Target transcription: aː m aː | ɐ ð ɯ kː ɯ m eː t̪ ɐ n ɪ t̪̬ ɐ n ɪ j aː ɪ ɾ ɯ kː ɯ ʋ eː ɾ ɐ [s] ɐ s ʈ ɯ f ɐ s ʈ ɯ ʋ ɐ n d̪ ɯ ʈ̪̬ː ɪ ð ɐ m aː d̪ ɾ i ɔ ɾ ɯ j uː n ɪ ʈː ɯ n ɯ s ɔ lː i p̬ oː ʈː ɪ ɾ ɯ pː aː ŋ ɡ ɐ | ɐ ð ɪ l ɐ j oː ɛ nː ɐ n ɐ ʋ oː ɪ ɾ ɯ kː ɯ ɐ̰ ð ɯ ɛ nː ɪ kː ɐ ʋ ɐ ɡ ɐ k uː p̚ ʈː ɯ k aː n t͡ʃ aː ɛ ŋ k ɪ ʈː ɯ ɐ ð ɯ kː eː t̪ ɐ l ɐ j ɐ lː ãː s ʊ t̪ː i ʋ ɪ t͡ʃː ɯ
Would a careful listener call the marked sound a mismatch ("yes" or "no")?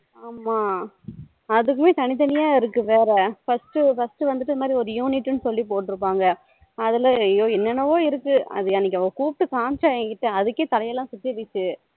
yes